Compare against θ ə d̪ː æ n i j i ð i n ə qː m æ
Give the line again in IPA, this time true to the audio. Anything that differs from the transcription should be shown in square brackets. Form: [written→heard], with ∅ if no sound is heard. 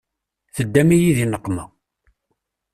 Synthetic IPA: θ ə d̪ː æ [n→m] i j i ð i n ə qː m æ